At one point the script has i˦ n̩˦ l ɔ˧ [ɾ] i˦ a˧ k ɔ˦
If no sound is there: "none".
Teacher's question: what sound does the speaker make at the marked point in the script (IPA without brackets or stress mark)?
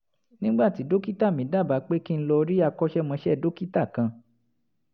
ɾ